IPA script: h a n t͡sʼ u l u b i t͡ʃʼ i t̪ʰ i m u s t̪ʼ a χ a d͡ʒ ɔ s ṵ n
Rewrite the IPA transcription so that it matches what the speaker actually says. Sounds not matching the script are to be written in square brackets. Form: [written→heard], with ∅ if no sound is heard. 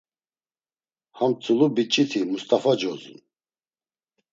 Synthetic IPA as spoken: h a [n→m] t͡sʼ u l u b i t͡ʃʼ i t̪ʰ i m u s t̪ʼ a [χ→f] a d͡ʒ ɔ [s→z] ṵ n